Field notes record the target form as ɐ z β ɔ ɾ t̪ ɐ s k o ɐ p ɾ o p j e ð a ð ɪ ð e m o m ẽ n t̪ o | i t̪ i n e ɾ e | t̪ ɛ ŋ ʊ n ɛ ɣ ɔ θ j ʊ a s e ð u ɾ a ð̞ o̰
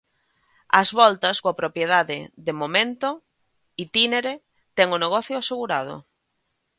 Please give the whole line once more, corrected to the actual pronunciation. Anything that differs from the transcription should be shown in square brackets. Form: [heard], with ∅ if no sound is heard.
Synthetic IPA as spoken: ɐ z β ɔ [l] t̪ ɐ s k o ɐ p ɾ o p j e ð a ð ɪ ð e m o m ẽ n t̪ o | i t̪ i n e ɾ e | t̪ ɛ ŋ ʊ n [e] ɣ ɔ θ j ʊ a s e [ɣ] u ɾ a ð̞ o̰